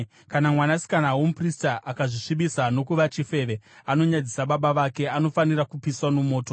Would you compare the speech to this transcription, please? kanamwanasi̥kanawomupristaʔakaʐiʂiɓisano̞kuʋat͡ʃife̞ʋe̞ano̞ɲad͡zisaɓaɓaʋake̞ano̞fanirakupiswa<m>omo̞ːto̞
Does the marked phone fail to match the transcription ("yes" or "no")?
yes